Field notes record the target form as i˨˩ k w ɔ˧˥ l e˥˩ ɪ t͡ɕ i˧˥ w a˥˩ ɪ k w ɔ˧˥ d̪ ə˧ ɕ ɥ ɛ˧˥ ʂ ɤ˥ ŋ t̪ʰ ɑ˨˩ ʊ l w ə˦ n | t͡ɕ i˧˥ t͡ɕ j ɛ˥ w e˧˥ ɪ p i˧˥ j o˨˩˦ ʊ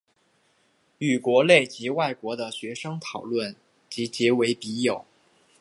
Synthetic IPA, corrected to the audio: y˨˩ k w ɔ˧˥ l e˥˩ ɪ t͡ɕ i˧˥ w a˥˩ ɪ k w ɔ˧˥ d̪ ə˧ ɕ ɥ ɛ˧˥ ʂ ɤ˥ ŋ t̪ʰ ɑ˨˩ ʊ l w ə˥˩ n | t͡ɕ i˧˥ t͡ɕ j ɛ˧˥ w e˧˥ ɪ p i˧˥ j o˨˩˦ ʊ